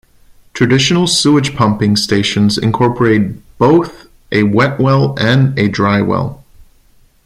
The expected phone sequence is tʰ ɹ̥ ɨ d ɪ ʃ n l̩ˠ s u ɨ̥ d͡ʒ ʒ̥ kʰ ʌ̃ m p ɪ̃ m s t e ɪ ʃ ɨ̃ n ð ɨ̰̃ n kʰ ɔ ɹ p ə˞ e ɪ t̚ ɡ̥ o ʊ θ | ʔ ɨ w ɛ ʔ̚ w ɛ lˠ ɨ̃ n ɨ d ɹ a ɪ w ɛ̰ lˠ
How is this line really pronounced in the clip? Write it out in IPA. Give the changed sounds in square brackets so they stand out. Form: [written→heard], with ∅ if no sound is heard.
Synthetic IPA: tʰ ɹ̥ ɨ d ɪ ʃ n l̩ˠ s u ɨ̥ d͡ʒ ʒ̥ [kʰ→pʰ] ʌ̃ m p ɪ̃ [m→ŋ] s t e ɪ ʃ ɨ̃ n [ð→z] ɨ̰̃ n kʰ ɔ ɹ p ə˞ e ɪ t̚ [ɡ̥→b̥] o ʊ θ | ʔ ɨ w ɛ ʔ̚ w ɛ lˠ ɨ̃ n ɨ d ɹ a ɪ w ɛ̰ lˠ